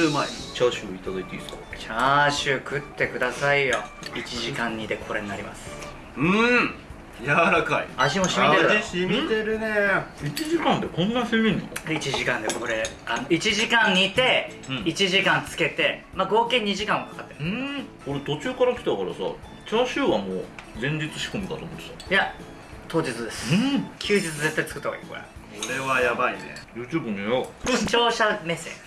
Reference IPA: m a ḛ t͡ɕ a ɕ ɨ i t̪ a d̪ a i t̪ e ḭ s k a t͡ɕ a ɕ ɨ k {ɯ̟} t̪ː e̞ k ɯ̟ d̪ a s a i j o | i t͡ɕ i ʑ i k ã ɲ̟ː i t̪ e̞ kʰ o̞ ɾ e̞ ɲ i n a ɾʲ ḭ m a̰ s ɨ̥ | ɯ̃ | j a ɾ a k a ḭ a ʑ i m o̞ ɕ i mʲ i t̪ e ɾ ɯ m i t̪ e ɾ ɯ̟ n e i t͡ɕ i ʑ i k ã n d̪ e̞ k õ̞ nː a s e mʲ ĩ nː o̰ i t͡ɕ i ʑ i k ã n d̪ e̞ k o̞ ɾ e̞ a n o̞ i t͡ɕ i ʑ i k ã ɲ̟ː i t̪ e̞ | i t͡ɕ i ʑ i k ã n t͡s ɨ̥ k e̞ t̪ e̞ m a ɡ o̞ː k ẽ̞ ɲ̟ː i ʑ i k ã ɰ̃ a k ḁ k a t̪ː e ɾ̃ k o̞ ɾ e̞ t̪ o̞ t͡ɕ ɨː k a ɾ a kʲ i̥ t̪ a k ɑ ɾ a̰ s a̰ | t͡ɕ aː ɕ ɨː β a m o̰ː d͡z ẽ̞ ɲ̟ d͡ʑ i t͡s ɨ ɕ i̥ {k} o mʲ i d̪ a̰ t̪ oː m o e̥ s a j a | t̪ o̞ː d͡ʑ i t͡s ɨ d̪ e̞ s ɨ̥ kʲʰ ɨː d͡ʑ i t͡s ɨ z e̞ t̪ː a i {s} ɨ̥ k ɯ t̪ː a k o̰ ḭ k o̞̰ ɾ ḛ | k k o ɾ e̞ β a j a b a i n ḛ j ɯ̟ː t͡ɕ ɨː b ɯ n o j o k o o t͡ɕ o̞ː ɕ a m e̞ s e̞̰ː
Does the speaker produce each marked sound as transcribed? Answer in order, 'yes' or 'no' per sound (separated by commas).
yes, yes, no